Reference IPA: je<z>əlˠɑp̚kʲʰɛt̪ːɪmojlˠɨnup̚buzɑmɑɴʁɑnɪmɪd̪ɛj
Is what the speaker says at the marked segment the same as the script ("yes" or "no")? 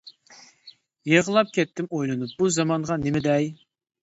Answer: no